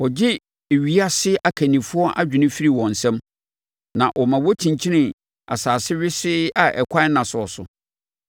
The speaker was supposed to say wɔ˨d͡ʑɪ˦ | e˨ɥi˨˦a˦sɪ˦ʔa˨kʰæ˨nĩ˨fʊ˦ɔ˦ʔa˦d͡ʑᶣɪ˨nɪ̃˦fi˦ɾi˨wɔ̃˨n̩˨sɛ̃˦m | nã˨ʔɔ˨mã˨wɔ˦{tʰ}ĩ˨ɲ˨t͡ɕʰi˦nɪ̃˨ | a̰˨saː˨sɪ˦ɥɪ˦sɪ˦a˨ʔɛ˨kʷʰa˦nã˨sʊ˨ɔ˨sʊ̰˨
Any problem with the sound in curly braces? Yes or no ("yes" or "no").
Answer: no